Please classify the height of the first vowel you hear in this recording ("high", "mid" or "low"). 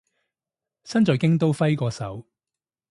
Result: low